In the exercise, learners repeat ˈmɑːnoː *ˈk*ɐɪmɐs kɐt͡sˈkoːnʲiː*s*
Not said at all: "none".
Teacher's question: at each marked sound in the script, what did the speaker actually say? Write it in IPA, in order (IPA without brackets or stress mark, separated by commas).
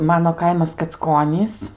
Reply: k, s